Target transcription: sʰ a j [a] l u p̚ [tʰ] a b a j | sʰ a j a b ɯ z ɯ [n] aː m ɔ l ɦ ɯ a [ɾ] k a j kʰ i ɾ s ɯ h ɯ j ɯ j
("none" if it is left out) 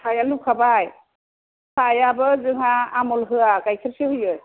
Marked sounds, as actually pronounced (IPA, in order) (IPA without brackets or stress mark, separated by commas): a, kʰ, ŋ, none